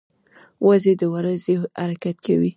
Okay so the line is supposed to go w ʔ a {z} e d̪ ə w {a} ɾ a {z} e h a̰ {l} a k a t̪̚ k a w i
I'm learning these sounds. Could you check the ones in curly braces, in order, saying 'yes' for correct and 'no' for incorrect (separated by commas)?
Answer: yes, yes, yes, no